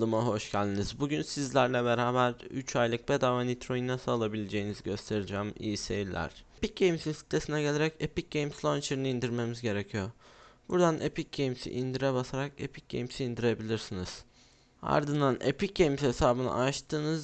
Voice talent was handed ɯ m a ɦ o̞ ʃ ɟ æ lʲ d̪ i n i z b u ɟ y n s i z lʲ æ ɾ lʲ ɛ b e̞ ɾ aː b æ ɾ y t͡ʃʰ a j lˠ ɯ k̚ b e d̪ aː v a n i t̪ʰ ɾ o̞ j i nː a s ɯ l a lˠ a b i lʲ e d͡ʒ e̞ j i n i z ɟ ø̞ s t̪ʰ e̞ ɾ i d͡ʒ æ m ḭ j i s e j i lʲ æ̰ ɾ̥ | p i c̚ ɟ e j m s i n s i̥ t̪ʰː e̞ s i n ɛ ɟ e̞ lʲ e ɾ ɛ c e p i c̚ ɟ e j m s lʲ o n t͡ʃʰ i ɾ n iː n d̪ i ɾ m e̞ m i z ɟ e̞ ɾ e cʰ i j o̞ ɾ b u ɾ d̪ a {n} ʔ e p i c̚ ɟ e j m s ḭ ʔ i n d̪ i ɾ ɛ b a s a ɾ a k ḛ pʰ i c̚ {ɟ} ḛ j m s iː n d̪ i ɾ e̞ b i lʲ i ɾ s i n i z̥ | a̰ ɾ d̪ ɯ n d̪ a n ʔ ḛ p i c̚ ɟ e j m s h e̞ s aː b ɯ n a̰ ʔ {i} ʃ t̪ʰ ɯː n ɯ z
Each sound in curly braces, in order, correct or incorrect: correct, correct, incorrect

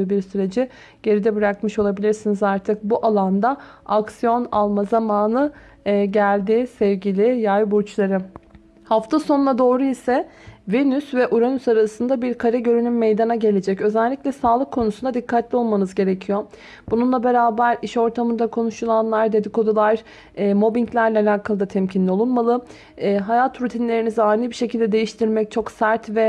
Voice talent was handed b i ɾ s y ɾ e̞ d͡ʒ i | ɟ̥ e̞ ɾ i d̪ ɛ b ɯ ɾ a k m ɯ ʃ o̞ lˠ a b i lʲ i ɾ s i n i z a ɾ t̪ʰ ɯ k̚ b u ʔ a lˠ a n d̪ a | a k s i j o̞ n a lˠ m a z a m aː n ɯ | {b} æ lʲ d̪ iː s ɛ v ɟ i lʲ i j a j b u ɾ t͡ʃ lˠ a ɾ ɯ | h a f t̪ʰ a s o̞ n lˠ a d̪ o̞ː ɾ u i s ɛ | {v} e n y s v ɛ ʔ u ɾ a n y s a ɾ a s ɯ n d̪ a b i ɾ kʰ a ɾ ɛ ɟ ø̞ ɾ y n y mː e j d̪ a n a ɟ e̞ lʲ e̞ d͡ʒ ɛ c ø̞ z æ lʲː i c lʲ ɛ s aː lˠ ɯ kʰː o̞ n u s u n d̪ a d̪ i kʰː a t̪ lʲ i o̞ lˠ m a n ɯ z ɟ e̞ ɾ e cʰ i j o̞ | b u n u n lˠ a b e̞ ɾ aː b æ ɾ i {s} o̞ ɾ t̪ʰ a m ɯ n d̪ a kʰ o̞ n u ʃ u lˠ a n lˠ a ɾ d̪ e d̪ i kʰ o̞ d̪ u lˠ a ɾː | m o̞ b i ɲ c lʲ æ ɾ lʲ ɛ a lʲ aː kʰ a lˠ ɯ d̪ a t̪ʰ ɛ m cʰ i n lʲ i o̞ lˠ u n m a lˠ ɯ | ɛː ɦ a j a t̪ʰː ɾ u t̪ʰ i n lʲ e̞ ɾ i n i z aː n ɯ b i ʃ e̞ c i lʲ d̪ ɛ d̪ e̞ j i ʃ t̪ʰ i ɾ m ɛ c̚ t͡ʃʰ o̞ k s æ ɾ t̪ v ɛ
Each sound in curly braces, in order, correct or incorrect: incorrect, correct, incorrect

